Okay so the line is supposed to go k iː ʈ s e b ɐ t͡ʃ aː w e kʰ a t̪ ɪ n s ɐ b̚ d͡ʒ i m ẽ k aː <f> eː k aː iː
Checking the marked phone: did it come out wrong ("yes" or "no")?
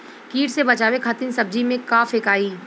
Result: no